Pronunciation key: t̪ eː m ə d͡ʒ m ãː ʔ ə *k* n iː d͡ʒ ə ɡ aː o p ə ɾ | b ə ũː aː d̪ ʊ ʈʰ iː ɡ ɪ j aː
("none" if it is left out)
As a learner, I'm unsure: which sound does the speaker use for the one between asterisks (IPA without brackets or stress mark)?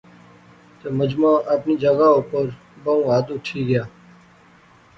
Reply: p